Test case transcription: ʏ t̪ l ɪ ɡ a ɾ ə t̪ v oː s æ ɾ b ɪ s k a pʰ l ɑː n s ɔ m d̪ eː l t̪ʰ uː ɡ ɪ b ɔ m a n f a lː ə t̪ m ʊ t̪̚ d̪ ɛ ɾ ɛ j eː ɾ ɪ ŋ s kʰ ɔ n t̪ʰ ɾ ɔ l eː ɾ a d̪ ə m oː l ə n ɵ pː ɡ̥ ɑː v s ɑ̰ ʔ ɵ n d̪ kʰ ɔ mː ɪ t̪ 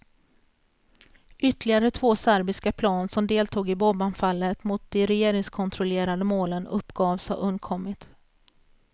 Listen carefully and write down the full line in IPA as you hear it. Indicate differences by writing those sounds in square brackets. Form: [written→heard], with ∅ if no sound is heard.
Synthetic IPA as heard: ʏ t̪ l ɪ ɡ a ɾ ə [t̪→t̪ʰ] v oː s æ ɾ b ɪ s k a pʰ l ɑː n s ɔ m d̪ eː l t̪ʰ uː ɡ ɪ b ɔ [m→b] a n f a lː ə t̪ m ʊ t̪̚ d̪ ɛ ɾ ɛ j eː ɾ ɪ ŋ s kʰ ɔ n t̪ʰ ɾ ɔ l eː ɾ a d̪ ə m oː l ə n ɵ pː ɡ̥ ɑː v s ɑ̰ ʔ ɵ n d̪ kʰ ɔ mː ɪ t̪